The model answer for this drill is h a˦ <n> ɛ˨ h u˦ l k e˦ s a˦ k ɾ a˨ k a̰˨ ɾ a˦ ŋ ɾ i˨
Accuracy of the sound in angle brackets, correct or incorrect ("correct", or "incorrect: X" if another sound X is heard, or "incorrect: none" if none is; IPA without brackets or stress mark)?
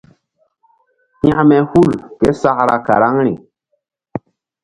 incorrect: m